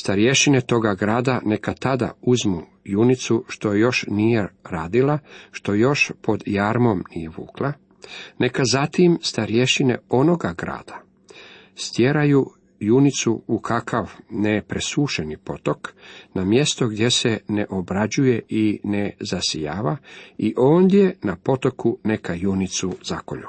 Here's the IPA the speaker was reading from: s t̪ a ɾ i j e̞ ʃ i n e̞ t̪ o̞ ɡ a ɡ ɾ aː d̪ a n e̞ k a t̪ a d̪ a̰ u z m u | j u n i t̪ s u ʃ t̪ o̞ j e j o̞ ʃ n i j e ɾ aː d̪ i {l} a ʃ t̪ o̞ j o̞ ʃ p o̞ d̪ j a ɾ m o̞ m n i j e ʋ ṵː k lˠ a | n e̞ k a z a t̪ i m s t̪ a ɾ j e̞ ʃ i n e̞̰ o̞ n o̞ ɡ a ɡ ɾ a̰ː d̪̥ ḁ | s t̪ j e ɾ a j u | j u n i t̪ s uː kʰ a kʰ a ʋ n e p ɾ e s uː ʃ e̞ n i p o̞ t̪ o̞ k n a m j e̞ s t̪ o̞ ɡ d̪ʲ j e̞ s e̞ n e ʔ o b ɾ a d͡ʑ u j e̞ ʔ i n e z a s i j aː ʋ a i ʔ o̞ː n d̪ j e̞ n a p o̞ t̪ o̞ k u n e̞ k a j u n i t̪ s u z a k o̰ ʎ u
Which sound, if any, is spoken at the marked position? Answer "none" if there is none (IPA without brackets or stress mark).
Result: l